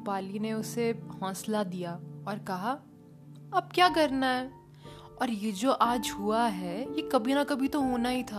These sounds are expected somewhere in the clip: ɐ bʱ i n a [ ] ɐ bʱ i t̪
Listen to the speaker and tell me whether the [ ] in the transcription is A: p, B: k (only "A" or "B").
B